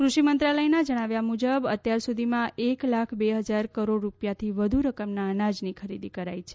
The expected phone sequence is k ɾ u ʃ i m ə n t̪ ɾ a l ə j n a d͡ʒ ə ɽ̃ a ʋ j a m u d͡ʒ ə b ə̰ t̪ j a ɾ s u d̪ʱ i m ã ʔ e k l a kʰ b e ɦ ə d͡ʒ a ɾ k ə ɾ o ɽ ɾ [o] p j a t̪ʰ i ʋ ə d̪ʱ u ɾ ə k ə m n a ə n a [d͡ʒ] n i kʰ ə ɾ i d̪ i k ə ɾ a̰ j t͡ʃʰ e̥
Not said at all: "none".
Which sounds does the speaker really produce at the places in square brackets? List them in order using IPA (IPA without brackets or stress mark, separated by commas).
u, d͡ʒ